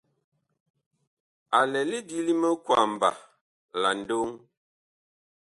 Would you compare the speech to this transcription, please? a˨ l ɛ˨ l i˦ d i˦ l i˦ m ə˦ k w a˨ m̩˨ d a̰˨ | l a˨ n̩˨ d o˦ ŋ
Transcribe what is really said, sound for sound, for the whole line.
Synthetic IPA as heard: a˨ l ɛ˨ l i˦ d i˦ l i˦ m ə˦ k w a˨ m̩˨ b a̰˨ | l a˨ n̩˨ d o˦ ŋ